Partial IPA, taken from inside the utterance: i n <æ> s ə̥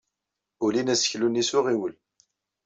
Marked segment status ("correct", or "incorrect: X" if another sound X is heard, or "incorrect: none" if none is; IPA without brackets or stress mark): correct